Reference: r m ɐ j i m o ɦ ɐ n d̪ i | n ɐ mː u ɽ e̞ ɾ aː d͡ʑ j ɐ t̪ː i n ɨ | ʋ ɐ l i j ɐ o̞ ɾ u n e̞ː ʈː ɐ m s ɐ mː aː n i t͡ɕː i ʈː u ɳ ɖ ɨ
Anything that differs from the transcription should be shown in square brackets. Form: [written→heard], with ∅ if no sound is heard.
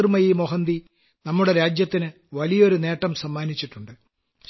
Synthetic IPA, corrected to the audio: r m ɐ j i m o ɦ ɐ n d̪ i | n ɐ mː u ɽ e̞ ɾ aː d͡ʑ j ɐ t̪ː i n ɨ | ʋ ɐ l i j ɐ o̞ ɾ u n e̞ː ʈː ɐ m s ɐ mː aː n i t͡ɕː i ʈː u ɳ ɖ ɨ